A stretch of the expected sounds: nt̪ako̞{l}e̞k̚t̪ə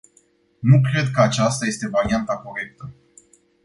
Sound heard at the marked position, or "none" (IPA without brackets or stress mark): ɾ